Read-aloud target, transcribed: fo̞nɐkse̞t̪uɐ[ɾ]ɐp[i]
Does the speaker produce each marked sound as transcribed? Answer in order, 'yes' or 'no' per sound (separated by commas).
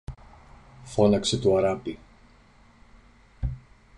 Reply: yes, yes